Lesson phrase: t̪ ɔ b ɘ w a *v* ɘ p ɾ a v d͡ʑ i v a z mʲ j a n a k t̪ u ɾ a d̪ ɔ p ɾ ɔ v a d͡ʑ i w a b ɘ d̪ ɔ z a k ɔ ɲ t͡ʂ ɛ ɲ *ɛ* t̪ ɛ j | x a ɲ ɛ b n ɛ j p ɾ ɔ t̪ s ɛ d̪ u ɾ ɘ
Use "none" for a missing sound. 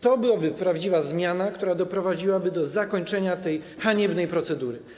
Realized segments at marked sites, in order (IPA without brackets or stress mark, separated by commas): b, a